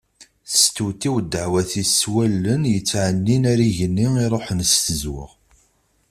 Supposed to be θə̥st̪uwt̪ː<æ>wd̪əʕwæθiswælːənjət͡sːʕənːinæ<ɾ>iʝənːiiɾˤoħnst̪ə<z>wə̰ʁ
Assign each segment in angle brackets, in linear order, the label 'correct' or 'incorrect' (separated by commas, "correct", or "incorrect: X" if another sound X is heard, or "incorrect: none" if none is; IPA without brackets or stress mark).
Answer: incorrect: i, correct, correct